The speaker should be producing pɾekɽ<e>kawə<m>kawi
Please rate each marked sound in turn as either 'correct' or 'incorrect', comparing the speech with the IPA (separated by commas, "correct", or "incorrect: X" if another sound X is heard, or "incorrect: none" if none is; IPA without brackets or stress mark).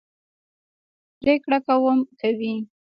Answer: incorrect: a, correct